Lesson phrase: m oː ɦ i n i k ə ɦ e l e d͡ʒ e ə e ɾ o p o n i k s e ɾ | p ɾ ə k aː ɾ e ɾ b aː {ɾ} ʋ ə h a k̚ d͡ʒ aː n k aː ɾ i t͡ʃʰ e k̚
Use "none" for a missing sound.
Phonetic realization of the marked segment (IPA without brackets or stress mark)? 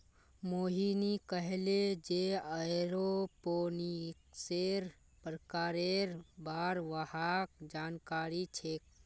ɾ